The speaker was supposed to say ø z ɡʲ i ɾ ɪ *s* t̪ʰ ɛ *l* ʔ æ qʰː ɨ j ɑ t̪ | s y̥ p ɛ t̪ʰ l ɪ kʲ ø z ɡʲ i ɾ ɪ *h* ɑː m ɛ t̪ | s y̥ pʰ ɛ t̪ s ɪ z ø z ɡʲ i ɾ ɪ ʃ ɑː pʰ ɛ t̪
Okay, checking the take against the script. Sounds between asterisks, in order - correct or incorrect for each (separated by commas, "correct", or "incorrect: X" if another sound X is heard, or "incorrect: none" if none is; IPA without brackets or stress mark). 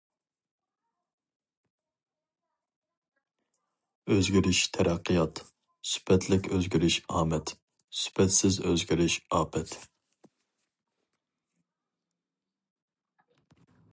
incorrect: ʃ, incorrect: ɾ, incorrect: ʃ